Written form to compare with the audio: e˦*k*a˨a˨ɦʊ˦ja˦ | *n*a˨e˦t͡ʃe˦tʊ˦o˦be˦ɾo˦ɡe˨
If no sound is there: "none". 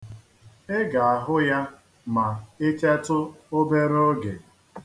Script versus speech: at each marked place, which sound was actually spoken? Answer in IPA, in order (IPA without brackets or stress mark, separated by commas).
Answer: ɡ, m